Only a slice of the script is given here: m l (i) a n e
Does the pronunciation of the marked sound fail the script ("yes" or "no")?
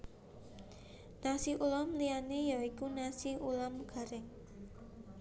no